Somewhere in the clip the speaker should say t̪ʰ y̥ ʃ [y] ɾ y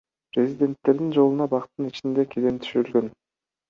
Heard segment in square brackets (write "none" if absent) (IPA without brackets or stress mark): y